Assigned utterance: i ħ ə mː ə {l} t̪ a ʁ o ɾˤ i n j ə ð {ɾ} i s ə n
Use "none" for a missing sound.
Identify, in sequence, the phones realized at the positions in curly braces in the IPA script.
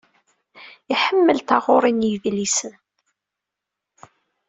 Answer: l, l

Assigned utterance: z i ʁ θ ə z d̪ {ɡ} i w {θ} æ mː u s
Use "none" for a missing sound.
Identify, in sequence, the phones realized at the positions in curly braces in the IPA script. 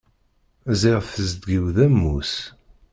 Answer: ɡ, ð

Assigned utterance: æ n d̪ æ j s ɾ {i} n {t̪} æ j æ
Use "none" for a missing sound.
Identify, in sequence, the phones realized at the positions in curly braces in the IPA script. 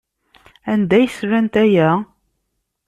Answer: æ, t̪

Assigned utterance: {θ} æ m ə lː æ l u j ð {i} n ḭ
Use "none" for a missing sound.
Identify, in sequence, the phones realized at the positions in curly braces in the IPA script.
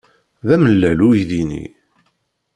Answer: ð, i

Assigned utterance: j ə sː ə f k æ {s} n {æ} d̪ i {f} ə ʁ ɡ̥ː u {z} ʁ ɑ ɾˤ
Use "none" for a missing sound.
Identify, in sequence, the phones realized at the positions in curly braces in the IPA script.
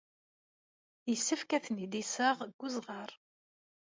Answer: θ, i, s, z

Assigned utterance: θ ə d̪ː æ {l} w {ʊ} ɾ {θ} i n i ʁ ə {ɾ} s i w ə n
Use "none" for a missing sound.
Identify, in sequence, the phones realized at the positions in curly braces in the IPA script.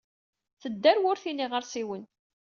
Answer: ɾ, ʊ, θ, ɾ

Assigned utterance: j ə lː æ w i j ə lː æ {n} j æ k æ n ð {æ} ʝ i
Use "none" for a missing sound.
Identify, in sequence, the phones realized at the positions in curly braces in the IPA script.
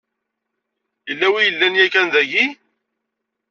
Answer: n, æ

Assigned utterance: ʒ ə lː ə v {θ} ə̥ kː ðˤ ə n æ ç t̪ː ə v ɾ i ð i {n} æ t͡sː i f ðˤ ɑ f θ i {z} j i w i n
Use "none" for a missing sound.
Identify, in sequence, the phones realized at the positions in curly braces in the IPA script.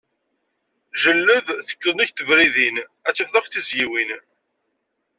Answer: θ, n, z

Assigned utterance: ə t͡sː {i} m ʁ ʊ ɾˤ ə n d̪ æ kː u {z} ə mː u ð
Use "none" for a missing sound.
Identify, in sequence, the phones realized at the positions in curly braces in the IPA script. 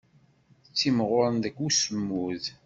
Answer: i, s

